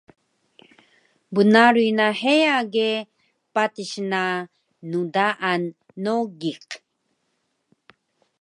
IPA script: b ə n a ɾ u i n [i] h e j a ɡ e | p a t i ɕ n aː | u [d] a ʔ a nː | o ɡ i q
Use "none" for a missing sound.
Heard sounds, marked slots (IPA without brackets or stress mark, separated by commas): a, d